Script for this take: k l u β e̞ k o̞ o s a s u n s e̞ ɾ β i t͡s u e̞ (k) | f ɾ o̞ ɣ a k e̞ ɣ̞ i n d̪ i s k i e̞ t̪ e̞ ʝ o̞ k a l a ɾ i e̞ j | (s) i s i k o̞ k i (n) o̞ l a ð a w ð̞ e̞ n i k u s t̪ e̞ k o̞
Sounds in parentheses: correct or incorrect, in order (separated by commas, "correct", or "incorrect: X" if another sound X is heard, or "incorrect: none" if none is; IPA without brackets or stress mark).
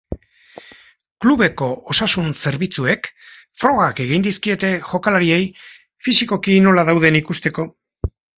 correct, incorrect: f, correct